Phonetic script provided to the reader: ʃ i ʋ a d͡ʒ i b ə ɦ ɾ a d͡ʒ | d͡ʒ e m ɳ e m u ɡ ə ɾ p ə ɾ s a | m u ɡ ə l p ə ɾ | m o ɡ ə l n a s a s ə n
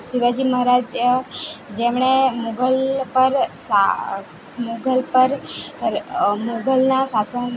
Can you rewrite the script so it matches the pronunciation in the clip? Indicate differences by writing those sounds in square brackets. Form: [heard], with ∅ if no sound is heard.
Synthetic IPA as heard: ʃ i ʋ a d͡ʒ i [m] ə ɦ ɾ a d͡ʒ | d͡ʒ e m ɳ e m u ɡ ə [l] p ə ɾ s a | m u ɡ ə l p ə ɾ | m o ɡ ə l n a s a s ə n